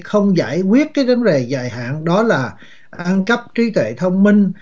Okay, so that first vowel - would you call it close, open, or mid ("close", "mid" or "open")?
mid